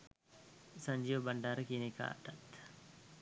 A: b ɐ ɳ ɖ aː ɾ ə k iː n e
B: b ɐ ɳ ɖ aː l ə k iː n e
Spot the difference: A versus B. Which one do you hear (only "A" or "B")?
A